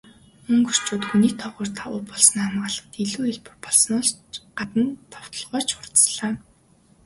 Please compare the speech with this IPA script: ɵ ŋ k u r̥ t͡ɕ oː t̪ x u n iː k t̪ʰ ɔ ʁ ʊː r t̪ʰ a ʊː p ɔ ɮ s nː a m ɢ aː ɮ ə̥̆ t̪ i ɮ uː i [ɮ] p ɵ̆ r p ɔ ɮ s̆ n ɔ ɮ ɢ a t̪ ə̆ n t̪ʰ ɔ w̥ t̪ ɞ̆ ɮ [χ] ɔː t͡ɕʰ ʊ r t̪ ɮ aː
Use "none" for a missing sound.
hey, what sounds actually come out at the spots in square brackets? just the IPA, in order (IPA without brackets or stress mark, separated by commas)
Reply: ɮ, ʁ